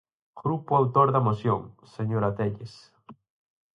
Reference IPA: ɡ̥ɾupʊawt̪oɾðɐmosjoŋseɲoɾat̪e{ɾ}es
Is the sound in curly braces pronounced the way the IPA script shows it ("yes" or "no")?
no